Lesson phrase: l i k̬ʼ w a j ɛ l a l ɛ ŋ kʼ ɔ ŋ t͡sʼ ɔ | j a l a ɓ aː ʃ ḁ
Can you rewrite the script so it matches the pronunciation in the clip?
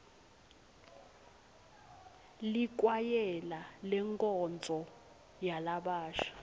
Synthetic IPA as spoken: l i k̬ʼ w a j ɛ l a l ɛ ŋ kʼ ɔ n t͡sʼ ɔ | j a l a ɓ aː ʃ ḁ